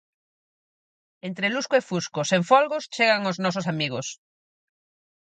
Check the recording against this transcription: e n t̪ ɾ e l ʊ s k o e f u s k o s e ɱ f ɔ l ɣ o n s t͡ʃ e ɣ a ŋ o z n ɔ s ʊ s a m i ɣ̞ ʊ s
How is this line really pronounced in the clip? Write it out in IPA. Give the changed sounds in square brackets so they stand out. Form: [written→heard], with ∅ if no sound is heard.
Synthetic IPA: e n t̪ ɾ e l [ʊ→u] s k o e f u s k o s e ɱ f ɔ l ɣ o [n→∅] s t͡ʃ e ɣ a ŋ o z n ɔ s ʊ s a m i ɣ̞ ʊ s